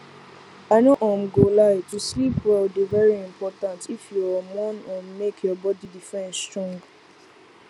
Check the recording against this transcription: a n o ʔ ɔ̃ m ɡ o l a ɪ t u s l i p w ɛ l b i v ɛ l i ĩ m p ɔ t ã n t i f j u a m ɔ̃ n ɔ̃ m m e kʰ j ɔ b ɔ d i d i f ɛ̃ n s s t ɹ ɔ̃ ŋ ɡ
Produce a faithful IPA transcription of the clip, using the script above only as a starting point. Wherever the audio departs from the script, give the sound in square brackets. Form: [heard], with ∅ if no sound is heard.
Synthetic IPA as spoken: a n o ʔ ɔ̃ m ɡ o l a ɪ t u s l i p w ɛ l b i v ɛ [ɹ] i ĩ m p ɔ t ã n t i f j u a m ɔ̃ n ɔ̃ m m e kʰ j ɔ b ɔ d i d i f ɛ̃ n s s t ɹ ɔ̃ ŋ ɡ